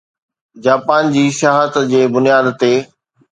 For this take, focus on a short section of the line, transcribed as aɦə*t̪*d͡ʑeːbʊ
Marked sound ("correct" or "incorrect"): correct